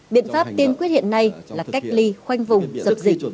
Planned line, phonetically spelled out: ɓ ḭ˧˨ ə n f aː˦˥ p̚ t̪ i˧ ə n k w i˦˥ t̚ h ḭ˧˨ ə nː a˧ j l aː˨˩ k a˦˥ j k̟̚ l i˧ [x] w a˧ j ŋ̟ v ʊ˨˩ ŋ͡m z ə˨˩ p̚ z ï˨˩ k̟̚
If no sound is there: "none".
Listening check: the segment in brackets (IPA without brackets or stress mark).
x